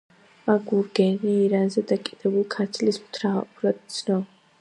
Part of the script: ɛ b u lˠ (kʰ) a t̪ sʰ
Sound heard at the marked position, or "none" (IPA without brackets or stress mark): kʰ